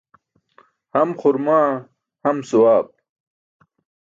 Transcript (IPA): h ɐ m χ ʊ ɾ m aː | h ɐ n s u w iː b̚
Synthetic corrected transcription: h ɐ m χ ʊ ɾ m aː | h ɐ m s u w aː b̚